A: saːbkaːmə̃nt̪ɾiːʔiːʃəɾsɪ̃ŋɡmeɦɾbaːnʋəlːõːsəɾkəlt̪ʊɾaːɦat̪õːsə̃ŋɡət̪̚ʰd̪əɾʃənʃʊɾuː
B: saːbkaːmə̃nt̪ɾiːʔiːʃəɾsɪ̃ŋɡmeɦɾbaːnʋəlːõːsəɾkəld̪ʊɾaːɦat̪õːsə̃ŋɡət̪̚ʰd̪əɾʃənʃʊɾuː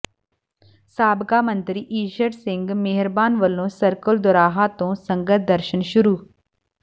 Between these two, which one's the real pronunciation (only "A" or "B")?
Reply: B